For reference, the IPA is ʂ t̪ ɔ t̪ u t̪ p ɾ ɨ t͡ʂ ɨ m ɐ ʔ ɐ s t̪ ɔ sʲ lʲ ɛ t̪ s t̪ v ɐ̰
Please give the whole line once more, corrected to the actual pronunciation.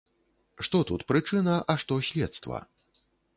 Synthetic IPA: ʂ t̪ ɔ t̪ u t̪ p ɾ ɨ t͡ʂ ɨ n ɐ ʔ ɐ ʂ t̪ ɔ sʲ lʲ ɛ t̪ s t̪ v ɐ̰

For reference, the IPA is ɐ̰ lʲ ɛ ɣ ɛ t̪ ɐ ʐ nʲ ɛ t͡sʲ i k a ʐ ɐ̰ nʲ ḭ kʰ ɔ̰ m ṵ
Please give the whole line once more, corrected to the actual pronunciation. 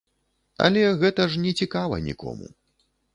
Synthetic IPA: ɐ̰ lʲ ɛ ɣ ɛ t̪ ɐ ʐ nʲ ɛ t͡sʲ i k a v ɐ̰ nʲ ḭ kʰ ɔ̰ m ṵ

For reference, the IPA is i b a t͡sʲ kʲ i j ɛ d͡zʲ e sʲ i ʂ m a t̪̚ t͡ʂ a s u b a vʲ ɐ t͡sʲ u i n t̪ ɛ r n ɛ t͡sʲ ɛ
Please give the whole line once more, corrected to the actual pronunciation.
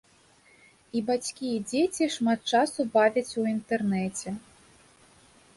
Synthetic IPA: i b a t͡sʲ kʲ i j ɛ d͡zʲ e t͡sʲ i ʂ m a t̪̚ t͡ʂ a s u b a vʲ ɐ t͡sʲ u i n t̪ ɛ r n ɛ t͡sʲ ɛ

